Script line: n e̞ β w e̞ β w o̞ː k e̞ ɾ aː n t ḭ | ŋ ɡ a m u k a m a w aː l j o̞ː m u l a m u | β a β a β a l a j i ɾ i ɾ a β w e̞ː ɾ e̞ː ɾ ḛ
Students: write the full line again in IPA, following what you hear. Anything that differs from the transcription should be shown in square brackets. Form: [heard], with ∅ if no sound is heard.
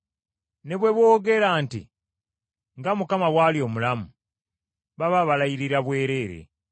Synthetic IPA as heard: n e̞ β w e̞ β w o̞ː [ɡ] e̞ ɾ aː n t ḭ | ŋ ɡ a m u k a m a w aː l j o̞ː m u l a m u | β a β a β a l a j i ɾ i ɾ a β w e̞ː ɾ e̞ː ɾ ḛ